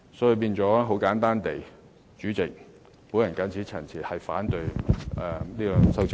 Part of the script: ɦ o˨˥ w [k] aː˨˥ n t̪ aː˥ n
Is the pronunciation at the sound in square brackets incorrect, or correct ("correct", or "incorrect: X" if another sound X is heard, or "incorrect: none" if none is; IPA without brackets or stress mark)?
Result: correct